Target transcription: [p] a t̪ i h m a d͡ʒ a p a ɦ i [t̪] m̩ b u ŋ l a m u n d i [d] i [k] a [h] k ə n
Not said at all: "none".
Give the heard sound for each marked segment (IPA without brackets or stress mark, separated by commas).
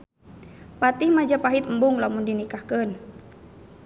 p, t̪, n, k, h